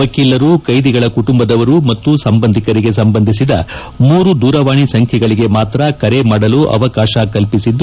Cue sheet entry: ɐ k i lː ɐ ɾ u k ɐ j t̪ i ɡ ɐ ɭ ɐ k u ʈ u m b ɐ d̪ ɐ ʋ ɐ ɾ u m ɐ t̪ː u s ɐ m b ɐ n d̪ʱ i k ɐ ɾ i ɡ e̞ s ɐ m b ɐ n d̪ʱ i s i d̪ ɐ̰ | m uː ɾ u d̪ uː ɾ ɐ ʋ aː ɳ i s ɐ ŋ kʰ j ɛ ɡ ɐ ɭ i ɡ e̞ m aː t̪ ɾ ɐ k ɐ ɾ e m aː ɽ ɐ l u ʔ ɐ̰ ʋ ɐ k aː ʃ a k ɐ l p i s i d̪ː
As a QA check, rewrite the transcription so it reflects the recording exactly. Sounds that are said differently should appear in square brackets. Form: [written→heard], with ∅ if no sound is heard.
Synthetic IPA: ɐ k i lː ɐ ɾ u k ɐ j [t̪→d̪] i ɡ ɐ ɭ ɐ k u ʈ u m b ɐ d̪ ɐ ʋ ɐ ɾ u m ɐ t̪ː u s ɐ m b ɐ n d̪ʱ i k ɐ ɾ i ɡ e̞ s ɐ m b ɐ n d̪ʱ i s i d̪ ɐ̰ | m uː ɾ u d̪ uː ɾ ɐ ʋ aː ɳ i s ɐ ŋ kʰ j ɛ ɡ ɐ ɭ i ɡ e̞ m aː t̪ ɾ ɐ k ɐ ɾ e m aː ɽ ɐ l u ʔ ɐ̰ ʋ ɐ k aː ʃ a k ɐ l p i s i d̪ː